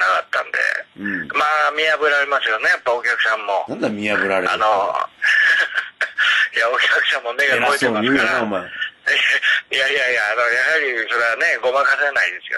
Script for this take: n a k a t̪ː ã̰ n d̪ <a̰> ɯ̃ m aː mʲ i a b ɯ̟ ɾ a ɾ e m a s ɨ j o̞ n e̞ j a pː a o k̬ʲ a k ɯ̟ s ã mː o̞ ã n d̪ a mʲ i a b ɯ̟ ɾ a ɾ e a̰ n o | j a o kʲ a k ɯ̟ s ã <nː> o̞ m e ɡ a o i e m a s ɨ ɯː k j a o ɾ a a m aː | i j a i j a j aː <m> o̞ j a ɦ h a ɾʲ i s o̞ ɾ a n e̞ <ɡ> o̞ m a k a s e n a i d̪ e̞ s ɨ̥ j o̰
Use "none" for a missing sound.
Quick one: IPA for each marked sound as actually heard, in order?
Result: ḛ, mː, n, ɡ

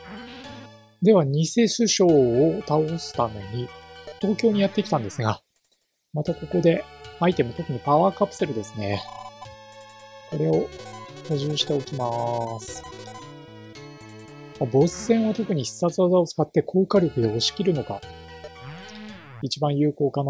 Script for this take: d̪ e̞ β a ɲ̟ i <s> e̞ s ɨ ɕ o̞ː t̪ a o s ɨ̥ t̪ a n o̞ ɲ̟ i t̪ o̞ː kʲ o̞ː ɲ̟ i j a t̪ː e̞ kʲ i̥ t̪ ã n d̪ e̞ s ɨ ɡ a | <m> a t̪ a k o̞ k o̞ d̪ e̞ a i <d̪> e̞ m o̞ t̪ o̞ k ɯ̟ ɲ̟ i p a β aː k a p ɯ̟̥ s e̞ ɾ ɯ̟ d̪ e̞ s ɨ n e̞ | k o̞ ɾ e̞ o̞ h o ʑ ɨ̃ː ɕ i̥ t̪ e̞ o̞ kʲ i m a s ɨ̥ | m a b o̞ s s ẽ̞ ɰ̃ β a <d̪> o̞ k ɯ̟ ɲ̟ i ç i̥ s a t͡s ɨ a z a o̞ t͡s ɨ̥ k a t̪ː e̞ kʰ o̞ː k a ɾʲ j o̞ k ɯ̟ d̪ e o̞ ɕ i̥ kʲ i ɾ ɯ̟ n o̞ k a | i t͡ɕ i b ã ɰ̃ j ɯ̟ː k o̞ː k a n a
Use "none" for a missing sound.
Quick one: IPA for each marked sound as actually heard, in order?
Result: s, m, t̪, t̪

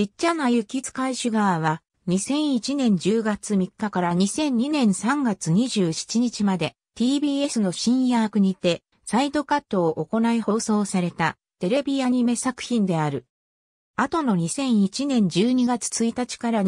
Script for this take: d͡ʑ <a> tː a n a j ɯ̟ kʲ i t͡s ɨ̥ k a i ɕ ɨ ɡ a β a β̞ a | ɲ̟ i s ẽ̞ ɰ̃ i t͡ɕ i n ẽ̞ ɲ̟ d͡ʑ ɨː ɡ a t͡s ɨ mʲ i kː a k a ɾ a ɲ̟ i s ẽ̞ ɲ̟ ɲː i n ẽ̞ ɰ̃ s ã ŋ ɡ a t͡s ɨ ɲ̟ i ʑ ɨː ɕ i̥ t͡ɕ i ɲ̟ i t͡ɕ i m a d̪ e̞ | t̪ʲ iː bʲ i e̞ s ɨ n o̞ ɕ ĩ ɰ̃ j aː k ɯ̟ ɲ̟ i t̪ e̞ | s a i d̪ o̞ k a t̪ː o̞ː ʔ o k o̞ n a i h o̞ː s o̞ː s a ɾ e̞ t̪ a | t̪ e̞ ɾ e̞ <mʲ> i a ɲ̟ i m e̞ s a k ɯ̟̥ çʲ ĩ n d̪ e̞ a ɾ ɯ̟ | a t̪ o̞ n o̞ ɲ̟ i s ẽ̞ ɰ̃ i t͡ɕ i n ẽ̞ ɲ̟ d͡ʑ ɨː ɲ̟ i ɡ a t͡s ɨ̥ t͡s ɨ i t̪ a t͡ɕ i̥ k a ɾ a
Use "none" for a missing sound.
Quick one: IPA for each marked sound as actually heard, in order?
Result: i, bʲ

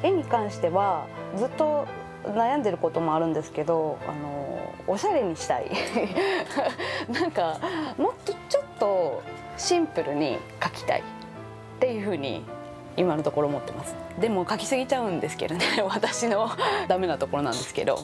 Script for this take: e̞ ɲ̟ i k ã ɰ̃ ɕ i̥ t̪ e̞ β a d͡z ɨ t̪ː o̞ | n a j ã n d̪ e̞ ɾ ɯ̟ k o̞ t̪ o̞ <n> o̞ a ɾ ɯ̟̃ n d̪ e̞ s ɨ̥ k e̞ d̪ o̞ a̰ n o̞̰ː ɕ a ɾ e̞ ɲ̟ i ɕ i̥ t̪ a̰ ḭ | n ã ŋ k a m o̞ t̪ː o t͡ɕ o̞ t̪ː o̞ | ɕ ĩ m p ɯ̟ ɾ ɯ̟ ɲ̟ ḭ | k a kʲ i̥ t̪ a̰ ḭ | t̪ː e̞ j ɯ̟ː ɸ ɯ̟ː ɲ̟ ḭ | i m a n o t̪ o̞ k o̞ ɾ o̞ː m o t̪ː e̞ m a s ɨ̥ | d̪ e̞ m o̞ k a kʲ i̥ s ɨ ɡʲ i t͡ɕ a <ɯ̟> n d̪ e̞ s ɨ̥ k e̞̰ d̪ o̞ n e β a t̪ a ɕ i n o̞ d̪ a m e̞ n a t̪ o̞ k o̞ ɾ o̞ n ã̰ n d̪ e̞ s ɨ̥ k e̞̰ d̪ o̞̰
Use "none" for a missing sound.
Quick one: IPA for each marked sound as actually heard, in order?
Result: m, ɯ̟̃

